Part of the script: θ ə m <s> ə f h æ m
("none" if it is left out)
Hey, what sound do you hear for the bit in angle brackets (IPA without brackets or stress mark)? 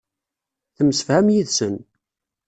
s